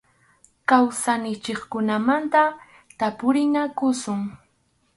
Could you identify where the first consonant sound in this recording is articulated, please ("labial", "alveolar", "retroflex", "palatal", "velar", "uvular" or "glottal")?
velar